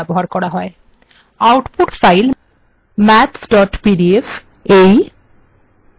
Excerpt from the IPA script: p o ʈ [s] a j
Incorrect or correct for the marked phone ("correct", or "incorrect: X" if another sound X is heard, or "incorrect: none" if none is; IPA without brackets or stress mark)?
incorrect: f